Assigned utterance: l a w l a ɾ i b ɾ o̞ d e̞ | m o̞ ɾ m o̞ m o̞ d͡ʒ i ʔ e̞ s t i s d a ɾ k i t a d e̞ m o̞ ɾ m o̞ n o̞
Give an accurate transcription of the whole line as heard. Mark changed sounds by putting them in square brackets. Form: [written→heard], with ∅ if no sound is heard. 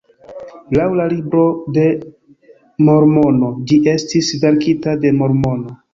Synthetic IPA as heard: l a w l a [ɾ→l] i b ɾ o̞ d e̞ | m o̞ ɾ m o̞ [m→n] o̞ d͡ʒ i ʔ e̞ s t i s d a ɾ k i t a d e̞ m o̞ ɾ m o̞ n o̞